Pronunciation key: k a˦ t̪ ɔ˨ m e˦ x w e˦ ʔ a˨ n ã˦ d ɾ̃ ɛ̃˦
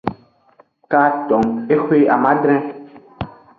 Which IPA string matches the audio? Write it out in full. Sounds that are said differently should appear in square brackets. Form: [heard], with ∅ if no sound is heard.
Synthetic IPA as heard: k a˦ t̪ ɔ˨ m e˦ x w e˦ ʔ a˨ [m] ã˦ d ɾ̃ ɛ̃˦